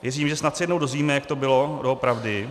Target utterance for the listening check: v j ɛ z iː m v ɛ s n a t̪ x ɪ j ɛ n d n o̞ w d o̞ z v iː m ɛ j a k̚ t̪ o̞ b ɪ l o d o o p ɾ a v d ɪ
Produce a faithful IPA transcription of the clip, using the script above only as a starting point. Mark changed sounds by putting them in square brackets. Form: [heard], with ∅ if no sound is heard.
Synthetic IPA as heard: v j ɛ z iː m [ʒ] ɛ s n a t̪ [s] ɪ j ɛ [∅] d n o̞ w d o̞ z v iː m ɛ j a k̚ t̪ o̞ b ɪ l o d o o p ɾ a v d ɪ